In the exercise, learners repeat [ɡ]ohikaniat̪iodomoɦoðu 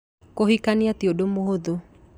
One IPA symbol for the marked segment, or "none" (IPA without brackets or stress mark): k